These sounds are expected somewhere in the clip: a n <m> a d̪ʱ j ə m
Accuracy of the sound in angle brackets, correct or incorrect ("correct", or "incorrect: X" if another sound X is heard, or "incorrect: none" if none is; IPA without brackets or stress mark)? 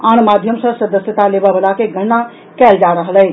correct